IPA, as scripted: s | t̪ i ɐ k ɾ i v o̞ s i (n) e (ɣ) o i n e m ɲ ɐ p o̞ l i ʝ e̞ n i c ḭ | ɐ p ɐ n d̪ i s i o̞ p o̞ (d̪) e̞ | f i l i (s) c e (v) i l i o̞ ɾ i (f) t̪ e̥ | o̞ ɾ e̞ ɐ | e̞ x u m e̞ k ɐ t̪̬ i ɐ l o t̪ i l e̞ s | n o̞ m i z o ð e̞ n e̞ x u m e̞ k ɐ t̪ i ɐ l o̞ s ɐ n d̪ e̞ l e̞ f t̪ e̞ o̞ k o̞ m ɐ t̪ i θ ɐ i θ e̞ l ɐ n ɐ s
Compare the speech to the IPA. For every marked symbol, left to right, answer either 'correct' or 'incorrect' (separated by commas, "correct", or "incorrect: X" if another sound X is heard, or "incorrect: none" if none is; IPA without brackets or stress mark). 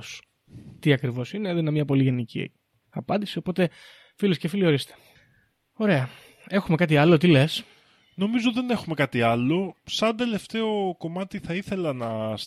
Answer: correct, incorrect: ð, incorrect: t̪, correct, incorrect: f, incorrect: s